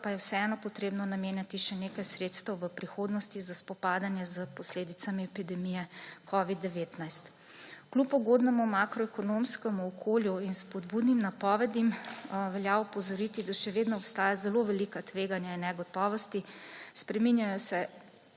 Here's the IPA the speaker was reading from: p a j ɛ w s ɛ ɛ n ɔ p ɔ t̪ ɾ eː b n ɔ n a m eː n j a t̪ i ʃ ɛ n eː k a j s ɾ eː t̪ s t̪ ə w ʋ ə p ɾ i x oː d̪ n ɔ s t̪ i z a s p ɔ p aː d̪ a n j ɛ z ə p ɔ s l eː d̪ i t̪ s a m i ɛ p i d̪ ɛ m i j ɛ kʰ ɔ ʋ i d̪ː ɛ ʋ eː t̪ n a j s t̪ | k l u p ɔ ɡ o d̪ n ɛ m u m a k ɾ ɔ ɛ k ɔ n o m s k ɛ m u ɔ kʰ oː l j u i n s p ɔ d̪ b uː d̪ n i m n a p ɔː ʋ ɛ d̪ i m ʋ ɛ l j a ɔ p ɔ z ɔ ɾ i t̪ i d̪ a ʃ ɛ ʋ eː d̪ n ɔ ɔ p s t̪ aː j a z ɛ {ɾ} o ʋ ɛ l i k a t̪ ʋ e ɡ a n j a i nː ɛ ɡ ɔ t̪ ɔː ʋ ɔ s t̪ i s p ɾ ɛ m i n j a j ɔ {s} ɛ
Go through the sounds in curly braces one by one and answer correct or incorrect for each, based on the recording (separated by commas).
incorrect, correct